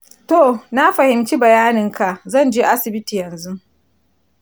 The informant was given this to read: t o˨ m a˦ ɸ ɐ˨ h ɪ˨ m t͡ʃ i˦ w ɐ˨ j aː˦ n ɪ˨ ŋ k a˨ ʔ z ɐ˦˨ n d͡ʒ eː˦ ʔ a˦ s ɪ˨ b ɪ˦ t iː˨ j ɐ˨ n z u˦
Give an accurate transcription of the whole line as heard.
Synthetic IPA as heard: t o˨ n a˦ ɸ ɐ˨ h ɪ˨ m t͡ʃ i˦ b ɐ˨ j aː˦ n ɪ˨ ŋ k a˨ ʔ z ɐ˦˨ n d͡ʒ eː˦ ʔ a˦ s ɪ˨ b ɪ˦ t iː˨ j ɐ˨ n z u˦